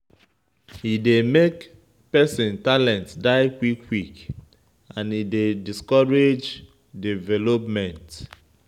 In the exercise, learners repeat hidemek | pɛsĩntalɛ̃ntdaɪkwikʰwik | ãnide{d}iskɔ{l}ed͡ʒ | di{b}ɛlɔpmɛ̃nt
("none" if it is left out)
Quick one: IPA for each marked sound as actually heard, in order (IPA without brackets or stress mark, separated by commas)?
d, ɹ, v